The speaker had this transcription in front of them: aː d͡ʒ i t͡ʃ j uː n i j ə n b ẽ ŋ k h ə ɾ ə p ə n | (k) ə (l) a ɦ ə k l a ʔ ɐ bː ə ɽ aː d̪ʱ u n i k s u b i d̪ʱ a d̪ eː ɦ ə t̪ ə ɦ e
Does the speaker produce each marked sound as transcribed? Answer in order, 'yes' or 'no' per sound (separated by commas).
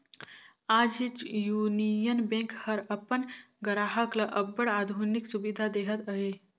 no, no